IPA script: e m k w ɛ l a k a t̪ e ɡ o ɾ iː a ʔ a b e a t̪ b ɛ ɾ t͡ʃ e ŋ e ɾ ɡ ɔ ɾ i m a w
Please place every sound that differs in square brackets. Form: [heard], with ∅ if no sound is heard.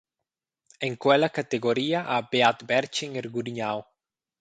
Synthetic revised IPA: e [ŋ] k w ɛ l a k a t̪ e ɡ o ɾ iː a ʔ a b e a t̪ b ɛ ɾ t͡ʃ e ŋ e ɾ ɡ [u] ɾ i [ɲ] a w

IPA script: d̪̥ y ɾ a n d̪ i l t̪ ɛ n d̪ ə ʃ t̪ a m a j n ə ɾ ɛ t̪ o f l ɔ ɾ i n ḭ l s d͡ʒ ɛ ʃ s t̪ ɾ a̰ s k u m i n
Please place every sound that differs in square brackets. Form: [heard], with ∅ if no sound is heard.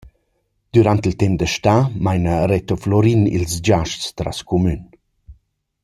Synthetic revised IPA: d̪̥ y ɾ a n [t̪] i l t̪ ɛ [m] d̪ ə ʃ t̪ a m a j n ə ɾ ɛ t̪ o f l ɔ ɾ i n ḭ l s d͡ʒ [a] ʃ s t̪ ɾ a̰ s k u m [y] n

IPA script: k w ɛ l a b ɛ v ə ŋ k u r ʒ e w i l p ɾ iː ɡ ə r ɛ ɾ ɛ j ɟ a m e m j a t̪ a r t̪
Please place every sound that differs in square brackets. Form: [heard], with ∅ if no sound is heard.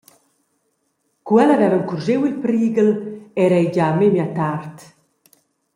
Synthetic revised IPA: k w ɛ l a [v] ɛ v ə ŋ k u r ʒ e w i l p ɾ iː ɡ ə [l] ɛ ɾ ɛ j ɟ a m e m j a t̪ a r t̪

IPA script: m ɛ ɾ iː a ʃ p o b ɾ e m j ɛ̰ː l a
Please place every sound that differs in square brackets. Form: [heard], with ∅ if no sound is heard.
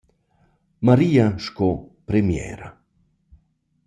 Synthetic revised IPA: m [a] ɾ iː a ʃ [k] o [p] ɾ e m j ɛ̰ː [ɾ] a

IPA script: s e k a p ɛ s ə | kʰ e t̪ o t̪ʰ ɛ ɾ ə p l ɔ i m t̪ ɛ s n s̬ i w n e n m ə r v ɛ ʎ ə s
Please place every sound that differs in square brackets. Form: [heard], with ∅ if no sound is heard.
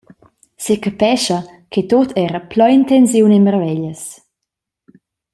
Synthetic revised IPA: s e k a p ɛ [ʃ] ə | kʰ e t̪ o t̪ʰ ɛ ɾ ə p l ɔ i [n] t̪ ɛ [∅] n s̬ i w n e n m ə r v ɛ ʎ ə s

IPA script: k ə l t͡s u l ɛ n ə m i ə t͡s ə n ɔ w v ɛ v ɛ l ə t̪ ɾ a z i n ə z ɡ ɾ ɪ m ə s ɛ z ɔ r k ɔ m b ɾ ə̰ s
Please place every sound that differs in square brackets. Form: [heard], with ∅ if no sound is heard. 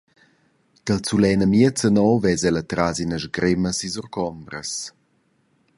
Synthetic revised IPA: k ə l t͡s u l ɛ n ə m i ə t͡s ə n ɔ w v ɛ [z] ɛ l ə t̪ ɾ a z i n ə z ɡ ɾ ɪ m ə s [i] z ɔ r k ɔ m b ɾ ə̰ s

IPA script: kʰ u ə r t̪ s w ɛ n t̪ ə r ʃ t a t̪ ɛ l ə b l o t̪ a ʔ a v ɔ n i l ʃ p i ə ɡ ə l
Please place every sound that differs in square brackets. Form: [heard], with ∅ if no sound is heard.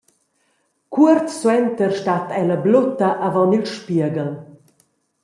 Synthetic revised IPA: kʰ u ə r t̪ s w ɛ n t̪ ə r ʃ t a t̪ ɛ l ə b l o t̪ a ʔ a v ɔ n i l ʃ p i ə ɡ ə l

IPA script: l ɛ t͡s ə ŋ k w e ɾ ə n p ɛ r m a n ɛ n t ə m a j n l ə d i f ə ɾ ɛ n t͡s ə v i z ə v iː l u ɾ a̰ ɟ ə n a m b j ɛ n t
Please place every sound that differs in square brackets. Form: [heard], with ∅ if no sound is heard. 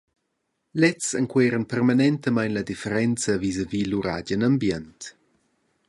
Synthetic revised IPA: l ɛ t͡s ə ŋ k w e ɾ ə n p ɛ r m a n ɛ n t ə m a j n l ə d i f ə ɾ ɛ n t͡s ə v i z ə v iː l u ɾ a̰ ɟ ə n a m b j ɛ n t

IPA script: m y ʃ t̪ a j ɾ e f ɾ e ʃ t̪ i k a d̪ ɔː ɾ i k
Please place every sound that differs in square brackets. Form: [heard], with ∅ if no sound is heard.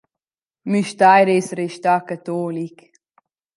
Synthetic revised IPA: m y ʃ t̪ a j ɾ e [s] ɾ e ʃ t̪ [a] k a [t̪] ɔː [l] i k

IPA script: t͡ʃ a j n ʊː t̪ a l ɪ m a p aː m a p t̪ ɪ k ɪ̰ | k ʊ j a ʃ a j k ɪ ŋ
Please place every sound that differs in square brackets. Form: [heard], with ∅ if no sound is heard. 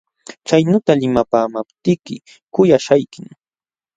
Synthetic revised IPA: t͡ʃ a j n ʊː t̪ a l ɪ m a p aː m a p t̪ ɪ k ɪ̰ | k ʊ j a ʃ a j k ɪ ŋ

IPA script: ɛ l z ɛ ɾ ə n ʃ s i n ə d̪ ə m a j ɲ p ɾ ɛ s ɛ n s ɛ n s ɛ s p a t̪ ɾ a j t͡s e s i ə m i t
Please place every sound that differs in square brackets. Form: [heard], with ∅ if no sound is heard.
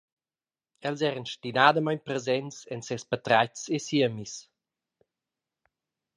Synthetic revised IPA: ɛ l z ɛ ɾ ə n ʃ [t] i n [a] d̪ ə m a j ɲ p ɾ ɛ [z] ɛ n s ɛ n s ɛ s p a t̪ ɾ a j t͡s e s i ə m i [s]

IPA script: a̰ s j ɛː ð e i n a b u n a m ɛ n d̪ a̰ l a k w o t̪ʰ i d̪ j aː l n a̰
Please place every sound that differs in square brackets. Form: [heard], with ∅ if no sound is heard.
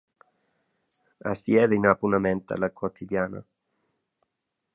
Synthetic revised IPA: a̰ s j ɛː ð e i n a [p] u n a m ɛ n [t̪] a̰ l a k w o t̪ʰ i d̪ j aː [∅] n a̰

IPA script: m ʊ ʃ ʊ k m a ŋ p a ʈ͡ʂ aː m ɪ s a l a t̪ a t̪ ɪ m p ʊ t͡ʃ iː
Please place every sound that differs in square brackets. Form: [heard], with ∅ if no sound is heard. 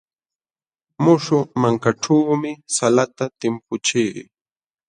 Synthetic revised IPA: m ʊ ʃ ʊ [∅] m a ŋ [k] a ʈ͡ʂ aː m ɪ s a l a t̪ a t̪ ɪ m p ʊ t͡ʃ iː

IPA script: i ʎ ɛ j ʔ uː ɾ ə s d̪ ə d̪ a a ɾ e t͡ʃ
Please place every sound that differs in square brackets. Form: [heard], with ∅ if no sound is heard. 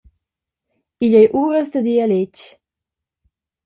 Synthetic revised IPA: i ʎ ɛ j ʔ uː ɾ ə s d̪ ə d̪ [i] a [l] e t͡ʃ

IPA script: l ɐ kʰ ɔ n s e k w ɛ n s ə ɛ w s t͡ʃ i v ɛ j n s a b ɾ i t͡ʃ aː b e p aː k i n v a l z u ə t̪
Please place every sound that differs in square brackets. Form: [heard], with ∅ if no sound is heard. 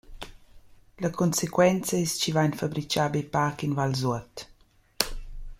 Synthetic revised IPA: l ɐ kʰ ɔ n s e k w ɛ n [t͡s] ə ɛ [∅] s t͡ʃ i v [a] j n [f] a b ɾ i t͡ʃ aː b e p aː k i n v a l z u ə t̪

